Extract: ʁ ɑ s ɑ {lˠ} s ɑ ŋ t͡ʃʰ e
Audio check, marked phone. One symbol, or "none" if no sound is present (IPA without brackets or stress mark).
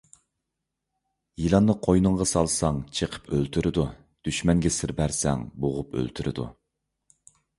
lˠ